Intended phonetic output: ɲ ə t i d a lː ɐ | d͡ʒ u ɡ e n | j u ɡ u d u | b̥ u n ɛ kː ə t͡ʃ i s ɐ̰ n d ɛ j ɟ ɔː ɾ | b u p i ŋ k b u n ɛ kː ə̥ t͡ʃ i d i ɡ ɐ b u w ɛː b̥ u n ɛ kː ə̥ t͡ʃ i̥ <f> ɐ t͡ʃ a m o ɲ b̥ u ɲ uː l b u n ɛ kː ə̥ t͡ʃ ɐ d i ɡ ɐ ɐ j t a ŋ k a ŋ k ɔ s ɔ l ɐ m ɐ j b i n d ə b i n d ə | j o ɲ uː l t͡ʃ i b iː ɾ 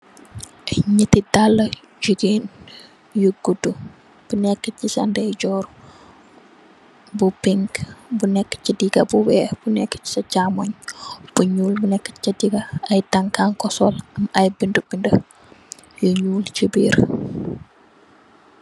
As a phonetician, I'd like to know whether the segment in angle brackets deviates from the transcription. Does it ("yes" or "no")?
yes